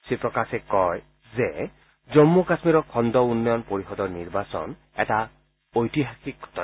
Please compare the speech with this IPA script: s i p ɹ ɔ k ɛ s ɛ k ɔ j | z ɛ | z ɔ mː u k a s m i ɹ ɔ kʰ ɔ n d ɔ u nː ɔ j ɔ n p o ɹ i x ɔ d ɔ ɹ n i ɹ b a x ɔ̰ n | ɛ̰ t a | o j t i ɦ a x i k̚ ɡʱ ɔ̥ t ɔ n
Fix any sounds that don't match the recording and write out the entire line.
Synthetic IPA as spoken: s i p ɹ ɔ k a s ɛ k ɔ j | z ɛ | z ɔ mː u k a s m i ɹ ɔ kʰ ɔ n d ɔ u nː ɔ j ɔ n p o ɹ i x ɔ d ɔ ɹ n i ɹ b a s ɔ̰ n | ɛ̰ t a | o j t i ɦ a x i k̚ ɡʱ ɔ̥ t ɔ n